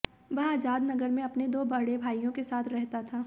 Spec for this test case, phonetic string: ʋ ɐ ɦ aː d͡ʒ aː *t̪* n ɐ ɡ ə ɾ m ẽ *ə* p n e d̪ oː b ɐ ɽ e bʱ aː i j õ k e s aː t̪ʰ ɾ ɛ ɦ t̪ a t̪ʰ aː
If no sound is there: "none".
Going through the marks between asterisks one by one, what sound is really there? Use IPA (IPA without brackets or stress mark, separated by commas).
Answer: d̪, ɐ